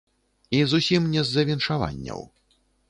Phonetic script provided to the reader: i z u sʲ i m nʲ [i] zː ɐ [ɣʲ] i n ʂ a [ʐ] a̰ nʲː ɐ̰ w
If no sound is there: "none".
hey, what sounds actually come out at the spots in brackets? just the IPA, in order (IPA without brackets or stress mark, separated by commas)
ɛ, vʲ, v